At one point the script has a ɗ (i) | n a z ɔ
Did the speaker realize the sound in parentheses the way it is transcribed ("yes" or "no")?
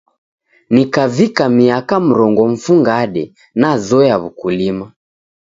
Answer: no